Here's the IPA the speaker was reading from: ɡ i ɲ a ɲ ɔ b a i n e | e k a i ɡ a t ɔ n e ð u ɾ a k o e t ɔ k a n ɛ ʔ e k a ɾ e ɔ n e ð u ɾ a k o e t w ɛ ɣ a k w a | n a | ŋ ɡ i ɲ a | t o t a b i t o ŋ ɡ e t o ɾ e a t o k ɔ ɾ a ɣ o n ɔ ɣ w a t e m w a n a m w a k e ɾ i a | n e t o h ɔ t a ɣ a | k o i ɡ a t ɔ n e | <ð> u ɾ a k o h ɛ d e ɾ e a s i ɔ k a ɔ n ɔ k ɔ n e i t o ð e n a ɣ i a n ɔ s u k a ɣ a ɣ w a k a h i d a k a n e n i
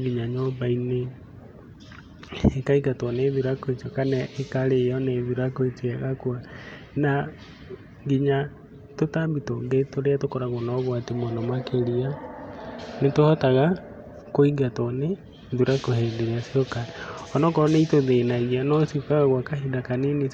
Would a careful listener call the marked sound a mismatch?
no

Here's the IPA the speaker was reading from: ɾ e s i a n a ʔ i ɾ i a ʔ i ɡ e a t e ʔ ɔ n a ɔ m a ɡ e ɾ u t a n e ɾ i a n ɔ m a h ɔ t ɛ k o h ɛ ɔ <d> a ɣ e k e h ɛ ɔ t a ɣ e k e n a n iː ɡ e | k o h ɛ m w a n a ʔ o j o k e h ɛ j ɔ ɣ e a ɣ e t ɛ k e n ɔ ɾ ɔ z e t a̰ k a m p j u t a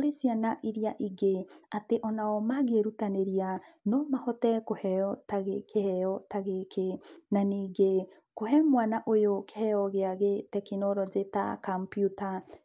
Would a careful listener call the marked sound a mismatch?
yes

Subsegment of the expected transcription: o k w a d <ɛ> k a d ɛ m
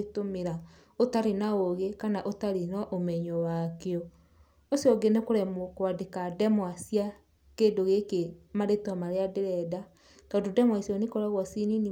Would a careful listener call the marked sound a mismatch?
yes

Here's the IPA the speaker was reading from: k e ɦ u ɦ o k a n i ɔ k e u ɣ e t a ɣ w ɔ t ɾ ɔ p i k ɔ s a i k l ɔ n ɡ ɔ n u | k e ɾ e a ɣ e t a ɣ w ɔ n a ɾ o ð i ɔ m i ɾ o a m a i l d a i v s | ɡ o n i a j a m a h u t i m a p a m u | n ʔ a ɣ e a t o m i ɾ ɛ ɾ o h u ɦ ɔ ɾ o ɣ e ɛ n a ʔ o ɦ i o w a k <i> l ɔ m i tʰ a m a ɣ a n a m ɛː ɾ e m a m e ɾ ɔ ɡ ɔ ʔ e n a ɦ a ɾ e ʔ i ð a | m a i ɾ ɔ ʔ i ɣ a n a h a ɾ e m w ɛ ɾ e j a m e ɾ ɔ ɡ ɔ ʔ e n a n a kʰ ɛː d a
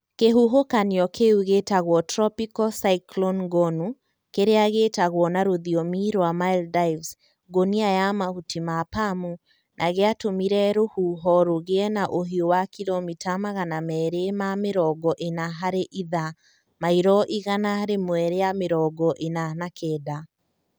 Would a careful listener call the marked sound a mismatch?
no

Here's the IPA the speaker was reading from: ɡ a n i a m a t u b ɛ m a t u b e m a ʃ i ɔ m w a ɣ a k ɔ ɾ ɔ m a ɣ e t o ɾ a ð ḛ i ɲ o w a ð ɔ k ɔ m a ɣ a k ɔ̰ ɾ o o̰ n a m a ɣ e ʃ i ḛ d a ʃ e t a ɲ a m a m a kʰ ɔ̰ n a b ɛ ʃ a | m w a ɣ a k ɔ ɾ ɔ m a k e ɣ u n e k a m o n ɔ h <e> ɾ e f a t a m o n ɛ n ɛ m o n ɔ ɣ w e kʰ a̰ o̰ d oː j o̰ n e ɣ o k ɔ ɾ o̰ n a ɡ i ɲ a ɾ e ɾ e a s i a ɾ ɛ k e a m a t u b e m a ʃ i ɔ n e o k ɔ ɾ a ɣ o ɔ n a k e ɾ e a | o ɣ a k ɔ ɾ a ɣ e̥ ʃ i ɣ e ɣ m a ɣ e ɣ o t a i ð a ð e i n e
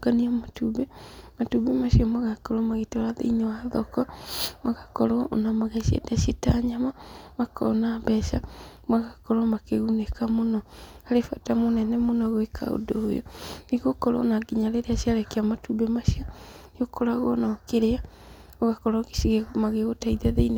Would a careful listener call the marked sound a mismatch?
yes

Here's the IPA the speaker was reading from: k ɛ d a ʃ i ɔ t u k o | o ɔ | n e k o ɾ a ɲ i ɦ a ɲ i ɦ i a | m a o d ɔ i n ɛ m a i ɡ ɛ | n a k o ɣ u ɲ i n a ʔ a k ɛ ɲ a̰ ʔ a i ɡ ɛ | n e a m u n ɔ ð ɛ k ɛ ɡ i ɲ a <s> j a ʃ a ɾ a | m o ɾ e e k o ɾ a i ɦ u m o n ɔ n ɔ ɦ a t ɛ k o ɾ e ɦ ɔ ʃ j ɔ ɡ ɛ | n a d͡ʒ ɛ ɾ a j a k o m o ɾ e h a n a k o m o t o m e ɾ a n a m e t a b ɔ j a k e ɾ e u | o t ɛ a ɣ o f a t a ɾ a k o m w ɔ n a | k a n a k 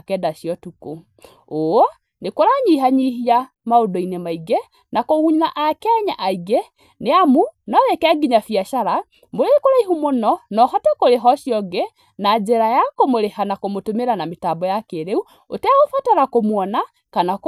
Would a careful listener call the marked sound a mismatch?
yes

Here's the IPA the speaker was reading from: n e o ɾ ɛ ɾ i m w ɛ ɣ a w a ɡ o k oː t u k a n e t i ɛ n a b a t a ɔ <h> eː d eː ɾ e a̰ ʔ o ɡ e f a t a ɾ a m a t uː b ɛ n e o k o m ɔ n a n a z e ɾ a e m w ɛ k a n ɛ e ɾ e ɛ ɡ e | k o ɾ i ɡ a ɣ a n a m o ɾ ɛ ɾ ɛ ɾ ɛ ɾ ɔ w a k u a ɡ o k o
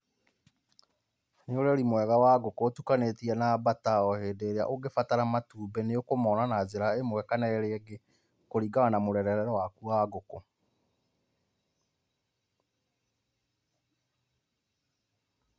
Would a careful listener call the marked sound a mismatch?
no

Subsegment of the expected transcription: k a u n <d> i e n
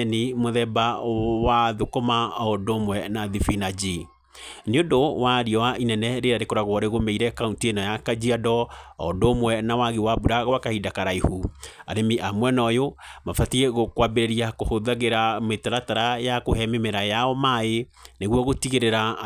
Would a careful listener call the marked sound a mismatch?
yes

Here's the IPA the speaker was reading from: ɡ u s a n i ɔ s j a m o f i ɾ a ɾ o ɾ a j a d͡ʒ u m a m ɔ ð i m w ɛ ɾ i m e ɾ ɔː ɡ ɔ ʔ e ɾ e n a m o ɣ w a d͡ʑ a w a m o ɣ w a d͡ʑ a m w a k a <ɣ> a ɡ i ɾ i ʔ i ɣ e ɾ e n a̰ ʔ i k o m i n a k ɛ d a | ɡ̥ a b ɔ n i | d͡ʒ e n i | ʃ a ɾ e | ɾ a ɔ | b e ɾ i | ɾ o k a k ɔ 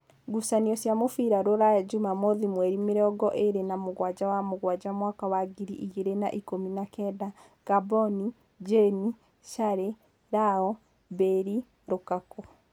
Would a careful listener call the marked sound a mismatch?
yes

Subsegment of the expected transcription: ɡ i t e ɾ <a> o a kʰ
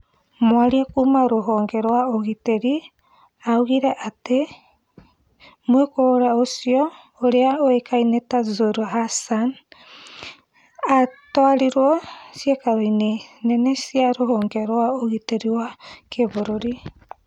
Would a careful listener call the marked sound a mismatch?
yes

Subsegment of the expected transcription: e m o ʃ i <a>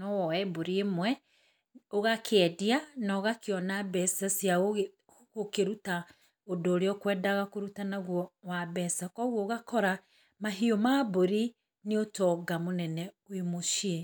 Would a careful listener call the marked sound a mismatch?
yes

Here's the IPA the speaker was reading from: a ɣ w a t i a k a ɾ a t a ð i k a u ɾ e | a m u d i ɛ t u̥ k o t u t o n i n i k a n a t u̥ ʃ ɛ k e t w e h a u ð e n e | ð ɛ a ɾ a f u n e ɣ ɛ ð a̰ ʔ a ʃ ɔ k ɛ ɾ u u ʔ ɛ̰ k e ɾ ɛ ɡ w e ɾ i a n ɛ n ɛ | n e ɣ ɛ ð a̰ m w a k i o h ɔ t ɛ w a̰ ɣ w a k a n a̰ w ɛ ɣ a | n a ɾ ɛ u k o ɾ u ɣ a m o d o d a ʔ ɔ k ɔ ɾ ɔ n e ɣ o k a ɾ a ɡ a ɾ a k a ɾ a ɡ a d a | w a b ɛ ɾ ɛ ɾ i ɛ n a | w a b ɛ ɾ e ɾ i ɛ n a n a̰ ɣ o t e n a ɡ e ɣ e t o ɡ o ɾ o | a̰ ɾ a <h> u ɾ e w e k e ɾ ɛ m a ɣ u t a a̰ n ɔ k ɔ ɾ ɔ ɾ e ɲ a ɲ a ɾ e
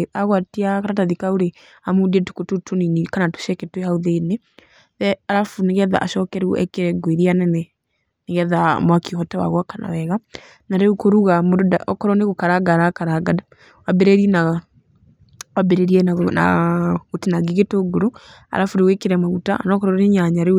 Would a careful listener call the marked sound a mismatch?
yes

